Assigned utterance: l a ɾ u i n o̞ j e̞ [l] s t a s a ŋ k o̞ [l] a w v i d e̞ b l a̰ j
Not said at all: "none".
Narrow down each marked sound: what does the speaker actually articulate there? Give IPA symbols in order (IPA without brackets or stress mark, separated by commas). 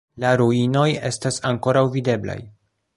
none, ɾ